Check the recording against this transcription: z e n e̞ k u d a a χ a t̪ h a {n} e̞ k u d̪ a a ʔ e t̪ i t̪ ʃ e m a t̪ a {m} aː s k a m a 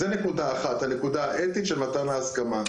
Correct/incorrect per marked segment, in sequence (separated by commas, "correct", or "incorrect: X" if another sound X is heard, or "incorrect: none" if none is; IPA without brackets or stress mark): correct, incorrect: n